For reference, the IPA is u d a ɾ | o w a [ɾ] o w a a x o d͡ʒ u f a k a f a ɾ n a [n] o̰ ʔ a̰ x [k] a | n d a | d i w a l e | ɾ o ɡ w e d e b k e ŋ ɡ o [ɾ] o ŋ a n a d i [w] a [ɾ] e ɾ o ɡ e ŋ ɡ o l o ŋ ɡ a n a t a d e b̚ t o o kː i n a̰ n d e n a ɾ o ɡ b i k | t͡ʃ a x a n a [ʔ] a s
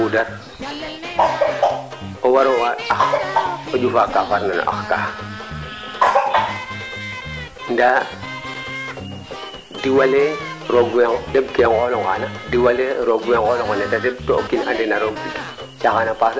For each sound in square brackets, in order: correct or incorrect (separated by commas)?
correct, correct, correct, incorrect, correct, incorrect, incorrect